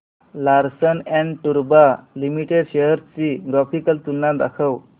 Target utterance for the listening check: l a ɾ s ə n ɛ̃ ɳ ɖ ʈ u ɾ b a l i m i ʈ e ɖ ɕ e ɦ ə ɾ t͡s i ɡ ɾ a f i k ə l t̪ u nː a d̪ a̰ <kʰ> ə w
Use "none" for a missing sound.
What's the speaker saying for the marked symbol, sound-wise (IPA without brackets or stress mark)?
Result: kʰ